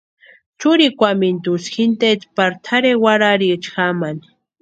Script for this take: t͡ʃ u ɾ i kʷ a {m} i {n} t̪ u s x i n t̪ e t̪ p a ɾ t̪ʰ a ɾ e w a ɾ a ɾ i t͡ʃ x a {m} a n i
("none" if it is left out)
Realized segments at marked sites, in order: m, n, m

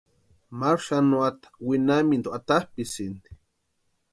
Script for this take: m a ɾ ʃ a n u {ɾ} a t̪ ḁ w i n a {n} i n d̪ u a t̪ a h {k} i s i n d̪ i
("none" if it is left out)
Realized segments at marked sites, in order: none, m, p

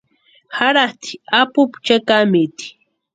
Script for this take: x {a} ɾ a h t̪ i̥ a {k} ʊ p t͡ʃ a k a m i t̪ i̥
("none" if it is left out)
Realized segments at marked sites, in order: a, p

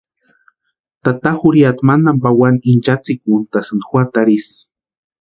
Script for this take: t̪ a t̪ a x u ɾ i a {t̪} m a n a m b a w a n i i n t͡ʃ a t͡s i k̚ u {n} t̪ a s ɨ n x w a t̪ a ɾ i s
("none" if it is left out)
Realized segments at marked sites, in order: t̪, n

